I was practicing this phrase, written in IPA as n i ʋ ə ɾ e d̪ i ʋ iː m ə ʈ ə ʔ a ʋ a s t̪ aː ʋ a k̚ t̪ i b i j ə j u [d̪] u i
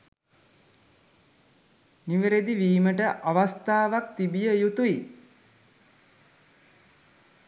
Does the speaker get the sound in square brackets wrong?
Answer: yes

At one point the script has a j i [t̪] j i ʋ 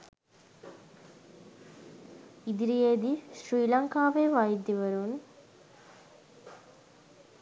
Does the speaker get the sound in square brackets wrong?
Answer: yes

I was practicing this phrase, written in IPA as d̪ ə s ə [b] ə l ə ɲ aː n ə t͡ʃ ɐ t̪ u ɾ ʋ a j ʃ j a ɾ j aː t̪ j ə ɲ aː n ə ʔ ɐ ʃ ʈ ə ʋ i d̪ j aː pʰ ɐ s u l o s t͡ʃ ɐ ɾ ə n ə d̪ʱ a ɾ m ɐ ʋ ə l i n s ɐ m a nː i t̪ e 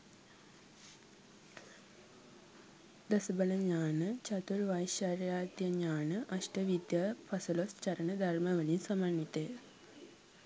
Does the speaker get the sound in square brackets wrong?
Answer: no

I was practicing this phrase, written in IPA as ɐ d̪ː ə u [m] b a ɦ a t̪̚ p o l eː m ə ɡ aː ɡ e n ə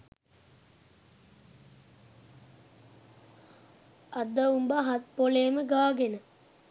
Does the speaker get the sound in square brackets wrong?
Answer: no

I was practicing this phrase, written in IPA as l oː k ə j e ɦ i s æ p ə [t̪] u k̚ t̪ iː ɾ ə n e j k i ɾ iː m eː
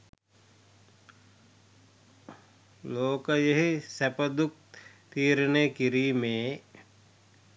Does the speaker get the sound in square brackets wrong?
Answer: yes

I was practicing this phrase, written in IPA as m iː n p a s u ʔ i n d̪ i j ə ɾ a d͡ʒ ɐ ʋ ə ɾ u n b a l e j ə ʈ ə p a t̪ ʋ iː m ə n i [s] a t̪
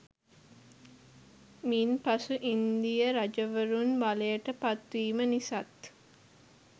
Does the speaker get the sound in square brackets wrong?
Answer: no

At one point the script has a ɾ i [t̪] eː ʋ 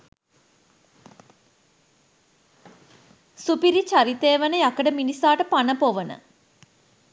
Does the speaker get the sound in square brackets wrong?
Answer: no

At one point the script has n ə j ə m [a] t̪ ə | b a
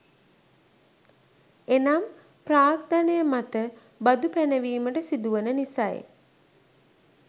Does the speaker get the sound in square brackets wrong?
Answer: no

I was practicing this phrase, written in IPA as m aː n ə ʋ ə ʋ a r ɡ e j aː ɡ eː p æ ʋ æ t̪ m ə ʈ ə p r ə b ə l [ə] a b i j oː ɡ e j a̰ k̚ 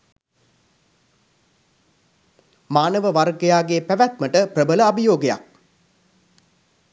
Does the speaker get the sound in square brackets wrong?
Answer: no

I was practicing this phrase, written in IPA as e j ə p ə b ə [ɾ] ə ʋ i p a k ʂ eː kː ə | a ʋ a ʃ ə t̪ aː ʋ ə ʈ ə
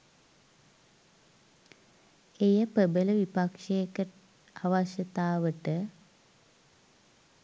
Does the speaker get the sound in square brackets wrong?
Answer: yes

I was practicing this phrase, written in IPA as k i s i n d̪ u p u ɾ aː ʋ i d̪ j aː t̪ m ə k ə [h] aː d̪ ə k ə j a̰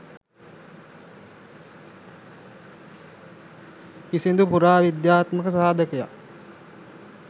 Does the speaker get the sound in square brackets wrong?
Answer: yes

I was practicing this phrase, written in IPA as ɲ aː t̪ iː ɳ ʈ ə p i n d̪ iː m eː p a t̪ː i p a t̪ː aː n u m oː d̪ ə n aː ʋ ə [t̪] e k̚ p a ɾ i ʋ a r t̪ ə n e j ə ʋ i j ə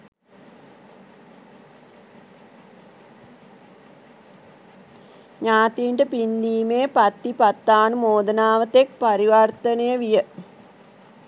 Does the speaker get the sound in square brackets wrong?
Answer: no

